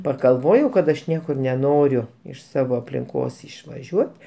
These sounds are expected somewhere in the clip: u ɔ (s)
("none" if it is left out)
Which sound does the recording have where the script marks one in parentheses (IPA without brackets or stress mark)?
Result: t